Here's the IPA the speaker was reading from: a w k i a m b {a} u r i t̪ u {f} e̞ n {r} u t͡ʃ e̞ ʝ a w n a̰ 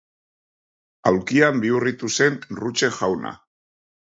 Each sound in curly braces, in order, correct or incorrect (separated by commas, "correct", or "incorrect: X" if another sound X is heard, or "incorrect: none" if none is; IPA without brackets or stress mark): incorrect: i, incorrect: s, correct